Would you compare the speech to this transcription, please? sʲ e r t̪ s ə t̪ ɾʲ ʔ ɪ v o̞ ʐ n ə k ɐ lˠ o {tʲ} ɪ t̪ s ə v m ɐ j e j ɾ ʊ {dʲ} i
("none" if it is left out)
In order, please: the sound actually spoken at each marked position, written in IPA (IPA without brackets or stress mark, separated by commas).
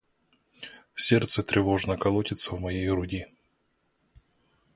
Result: tʲ, dʲ